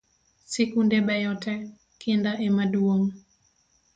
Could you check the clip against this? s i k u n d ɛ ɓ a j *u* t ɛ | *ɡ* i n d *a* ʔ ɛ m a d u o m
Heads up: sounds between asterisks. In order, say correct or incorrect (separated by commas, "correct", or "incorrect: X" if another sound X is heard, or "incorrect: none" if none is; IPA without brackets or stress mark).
incorrect: ɔ, incorrect: k, correct